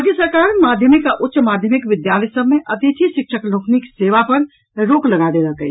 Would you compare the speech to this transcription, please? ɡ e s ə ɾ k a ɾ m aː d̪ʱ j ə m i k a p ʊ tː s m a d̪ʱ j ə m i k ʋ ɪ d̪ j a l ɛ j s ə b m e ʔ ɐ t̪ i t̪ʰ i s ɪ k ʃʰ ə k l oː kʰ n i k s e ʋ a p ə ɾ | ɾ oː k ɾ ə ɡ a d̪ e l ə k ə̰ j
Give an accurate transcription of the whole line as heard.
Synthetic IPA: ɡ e s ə ɾ k a ɾ m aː d̪ʱ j ə m i k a ʔ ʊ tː ʃ m a d̪ʱ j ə m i k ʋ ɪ d̪ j a l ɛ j s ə b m e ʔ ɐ t̪ i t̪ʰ i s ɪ k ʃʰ ə k l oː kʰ n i k s e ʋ a p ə ɾ | ɾ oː k l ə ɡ a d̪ e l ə k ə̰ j